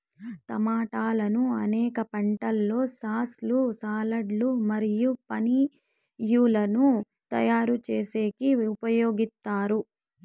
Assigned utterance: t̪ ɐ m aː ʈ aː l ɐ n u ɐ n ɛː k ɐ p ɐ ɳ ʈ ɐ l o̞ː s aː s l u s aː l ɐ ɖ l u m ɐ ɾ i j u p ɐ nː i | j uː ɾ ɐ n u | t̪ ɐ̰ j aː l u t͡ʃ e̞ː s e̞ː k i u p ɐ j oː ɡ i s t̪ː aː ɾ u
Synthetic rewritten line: t̪ ɐ m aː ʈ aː l ɐ n u ɐ n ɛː k ɐ p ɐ ɳ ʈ ɐ lː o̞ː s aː s l u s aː l ɐ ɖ l u m ɐ ɾ i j u p ɐ n i | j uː l ɐ n u | t̪ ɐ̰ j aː ɾ u t͡ʃ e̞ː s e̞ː k i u p ɐ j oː ɡ i s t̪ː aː ɾ u